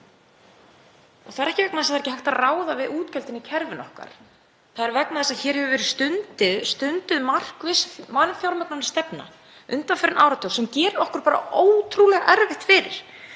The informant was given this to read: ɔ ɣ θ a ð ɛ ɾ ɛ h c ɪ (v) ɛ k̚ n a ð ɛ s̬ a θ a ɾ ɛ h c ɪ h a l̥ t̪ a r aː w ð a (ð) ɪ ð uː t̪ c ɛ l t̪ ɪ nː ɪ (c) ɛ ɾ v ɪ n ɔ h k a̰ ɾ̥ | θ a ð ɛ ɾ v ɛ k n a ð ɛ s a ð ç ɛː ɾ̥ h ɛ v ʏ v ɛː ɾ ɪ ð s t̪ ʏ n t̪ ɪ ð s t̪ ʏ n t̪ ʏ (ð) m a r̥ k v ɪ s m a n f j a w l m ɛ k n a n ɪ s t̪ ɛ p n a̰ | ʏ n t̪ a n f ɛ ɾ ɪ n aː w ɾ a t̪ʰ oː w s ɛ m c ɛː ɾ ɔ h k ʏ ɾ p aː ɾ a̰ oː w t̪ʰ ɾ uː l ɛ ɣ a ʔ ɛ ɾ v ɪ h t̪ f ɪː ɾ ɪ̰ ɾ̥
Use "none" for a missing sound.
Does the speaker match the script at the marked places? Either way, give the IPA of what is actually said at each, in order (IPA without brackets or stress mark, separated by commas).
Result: v, v, cʰ, ð